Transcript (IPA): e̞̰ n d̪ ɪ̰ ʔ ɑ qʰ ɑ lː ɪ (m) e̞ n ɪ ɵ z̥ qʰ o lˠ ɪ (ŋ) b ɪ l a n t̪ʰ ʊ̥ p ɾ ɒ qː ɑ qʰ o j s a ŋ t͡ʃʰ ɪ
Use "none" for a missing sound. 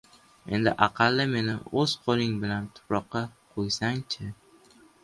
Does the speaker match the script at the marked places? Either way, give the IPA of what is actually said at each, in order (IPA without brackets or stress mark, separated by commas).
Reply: m, ŋ